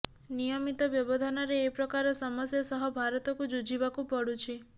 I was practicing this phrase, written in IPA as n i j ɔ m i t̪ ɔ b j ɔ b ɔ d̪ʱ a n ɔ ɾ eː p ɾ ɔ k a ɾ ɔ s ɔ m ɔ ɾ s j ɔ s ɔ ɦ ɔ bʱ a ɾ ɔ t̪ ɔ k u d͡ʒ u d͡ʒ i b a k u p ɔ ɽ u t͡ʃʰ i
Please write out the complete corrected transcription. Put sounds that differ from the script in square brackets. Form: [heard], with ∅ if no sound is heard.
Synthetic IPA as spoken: n i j ɔ m i t̪ ɔ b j ɔ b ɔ d̪ʱ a n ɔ ɾ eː p ɾ ɔ k a ɾ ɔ s ɔ m ɔ [∅] s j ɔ s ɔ ɦ ɔ bʱ a ɾ ɔ t̪ ɔ k u d͡ʒ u d͡ʒ i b a k u p ɔ ɽ u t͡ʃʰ i